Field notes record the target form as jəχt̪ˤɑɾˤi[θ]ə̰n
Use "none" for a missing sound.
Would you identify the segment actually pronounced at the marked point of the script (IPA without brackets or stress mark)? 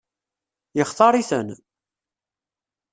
θ